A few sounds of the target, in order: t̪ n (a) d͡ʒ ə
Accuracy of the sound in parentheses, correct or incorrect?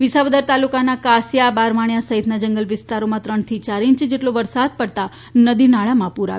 correct